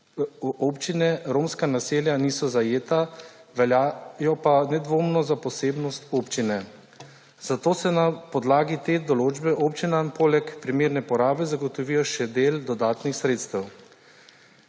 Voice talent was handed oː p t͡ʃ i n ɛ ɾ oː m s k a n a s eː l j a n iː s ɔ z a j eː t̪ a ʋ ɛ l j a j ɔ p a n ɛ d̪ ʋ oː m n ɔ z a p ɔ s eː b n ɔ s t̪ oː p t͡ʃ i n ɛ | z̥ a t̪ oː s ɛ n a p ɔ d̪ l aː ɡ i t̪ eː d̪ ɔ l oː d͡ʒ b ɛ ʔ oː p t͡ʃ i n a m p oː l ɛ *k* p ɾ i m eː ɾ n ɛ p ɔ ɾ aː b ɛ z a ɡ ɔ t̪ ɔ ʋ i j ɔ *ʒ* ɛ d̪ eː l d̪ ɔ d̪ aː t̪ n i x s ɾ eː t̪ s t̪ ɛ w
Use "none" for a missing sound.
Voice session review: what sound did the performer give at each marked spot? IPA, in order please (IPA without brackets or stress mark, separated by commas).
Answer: k, ʃ